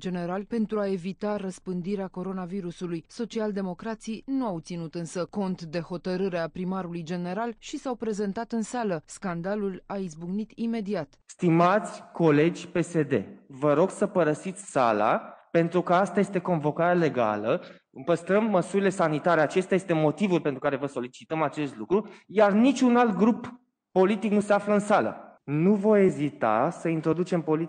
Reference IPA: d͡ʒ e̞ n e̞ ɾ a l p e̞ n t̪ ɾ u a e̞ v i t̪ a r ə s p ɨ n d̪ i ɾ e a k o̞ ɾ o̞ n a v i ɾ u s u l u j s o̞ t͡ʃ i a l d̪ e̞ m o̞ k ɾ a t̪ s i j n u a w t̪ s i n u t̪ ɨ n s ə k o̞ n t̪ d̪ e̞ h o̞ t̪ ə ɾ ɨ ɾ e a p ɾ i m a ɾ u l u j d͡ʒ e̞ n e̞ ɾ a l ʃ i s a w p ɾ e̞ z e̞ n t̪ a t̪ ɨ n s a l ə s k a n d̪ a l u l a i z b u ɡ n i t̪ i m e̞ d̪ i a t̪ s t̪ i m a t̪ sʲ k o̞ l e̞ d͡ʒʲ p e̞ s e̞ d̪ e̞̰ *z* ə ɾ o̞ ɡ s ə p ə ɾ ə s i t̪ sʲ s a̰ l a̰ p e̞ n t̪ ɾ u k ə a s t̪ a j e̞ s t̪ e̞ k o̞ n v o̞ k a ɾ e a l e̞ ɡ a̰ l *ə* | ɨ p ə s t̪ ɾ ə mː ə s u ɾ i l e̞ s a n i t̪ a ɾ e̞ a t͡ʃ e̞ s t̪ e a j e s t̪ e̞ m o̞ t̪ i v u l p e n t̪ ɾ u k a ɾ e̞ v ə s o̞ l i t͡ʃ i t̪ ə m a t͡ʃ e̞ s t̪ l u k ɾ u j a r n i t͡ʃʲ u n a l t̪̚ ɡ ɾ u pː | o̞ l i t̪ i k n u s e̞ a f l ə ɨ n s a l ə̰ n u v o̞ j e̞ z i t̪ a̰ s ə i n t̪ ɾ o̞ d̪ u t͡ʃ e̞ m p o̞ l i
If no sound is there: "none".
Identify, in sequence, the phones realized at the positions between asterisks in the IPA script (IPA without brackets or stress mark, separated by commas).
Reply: v, ə